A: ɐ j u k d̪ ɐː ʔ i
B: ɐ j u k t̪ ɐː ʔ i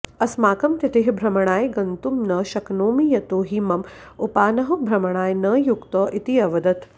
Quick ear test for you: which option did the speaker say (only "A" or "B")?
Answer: B